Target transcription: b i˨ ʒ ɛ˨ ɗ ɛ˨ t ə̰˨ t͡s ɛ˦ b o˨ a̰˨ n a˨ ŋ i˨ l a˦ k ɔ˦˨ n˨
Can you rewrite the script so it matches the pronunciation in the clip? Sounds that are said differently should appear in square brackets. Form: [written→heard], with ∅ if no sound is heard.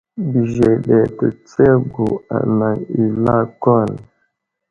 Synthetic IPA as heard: b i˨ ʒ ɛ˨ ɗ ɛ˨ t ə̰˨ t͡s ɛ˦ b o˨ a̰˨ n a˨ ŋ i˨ l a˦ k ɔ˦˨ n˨